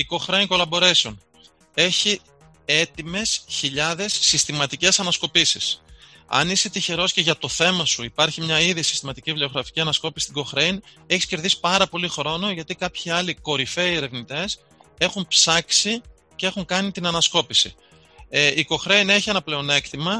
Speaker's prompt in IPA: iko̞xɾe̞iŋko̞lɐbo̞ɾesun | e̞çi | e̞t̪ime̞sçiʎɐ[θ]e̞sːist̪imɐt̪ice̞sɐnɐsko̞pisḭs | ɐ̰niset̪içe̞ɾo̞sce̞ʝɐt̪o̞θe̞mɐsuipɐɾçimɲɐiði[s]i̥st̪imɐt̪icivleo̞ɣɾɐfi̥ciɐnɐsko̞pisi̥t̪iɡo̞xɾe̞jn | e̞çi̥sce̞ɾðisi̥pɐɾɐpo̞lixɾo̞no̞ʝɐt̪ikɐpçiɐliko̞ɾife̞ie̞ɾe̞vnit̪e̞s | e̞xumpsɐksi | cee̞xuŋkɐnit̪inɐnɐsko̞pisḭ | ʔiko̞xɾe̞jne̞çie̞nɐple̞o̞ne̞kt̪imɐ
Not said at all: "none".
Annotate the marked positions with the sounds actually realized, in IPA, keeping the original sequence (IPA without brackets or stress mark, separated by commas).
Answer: ð, s